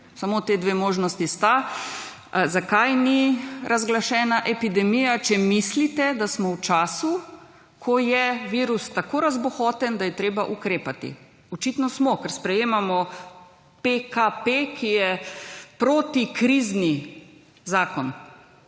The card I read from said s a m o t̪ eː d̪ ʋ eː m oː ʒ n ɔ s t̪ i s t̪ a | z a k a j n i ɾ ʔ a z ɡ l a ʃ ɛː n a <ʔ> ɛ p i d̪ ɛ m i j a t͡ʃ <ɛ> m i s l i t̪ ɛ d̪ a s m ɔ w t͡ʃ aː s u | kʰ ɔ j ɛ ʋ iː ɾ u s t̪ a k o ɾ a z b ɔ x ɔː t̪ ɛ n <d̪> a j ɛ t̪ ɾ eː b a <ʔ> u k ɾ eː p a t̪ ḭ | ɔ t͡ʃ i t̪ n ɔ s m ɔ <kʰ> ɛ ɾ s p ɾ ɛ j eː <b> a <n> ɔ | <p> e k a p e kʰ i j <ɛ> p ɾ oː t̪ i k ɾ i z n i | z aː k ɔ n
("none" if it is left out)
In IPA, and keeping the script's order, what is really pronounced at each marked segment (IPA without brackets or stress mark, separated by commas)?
ʔ, ɛ, d̪, ʔ, k, m, m, p, ɛ